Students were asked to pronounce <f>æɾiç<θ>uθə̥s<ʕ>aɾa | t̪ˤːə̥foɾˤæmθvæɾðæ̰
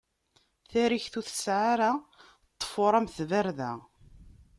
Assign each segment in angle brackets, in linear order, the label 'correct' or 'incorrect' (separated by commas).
incorrect, correct, correct